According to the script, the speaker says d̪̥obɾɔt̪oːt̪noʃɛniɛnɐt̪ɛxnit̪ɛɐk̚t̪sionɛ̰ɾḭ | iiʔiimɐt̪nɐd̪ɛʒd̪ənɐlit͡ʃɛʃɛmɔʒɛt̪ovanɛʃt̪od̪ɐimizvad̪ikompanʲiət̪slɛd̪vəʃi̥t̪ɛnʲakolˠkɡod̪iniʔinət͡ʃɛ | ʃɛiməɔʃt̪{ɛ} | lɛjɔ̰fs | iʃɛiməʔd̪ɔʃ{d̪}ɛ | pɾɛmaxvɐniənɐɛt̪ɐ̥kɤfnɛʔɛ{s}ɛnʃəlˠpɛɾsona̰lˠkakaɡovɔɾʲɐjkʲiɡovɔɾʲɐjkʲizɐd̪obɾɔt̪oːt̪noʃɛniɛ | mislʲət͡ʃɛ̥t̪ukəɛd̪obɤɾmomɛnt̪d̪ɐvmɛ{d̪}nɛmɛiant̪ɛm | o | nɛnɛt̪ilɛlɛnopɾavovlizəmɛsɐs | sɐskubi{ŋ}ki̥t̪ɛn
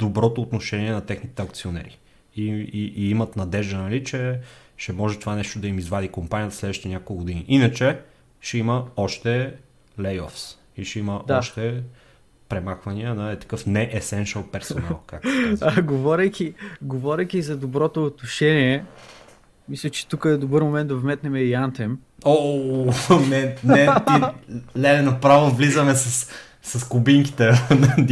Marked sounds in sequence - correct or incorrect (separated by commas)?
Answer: correct, incorrect, correct, incorrect, correct